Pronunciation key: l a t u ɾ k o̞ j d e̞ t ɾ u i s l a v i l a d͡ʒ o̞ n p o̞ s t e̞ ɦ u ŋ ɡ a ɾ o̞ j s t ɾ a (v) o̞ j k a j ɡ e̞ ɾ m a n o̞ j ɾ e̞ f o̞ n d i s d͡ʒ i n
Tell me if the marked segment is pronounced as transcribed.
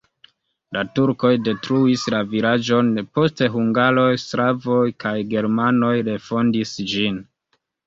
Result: yes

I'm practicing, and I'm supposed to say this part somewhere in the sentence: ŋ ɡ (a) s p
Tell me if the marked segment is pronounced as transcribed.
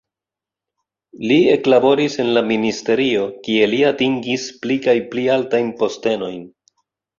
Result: no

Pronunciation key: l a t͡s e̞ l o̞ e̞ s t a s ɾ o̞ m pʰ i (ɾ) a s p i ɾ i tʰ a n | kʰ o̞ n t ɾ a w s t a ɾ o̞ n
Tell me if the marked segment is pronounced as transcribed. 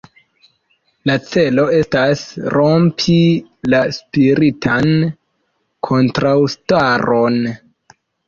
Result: no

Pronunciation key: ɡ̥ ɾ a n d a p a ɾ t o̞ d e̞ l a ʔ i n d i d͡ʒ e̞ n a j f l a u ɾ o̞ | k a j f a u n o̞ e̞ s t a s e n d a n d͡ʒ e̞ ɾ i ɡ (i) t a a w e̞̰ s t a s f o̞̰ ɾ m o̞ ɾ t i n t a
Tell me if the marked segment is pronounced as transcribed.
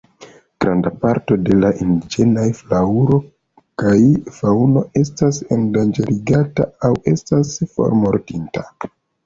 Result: no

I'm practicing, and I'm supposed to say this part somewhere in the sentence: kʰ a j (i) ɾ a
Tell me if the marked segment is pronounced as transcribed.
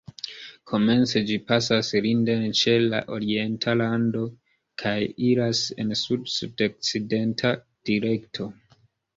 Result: yes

